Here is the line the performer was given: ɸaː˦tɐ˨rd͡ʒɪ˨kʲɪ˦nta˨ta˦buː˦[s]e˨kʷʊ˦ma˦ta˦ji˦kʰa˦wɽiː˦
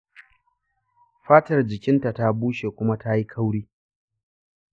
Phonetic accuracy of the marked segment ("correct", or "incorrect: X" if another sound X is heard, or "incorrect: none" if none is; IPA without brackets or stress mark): incorrect: ʃ